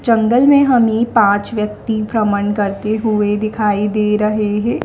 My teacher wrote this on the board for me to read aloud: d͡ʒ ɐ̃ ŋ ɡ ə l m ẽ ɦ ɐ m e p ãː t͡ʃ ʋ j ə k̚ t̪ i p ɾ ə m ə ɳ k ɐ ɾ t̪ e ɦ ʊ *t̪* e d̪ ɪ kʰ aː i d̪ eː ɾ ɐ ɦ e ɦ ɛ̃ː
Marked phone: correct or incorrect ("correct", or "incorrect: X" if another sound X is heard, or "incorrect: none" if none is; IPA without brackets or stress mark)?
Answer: incorrect: none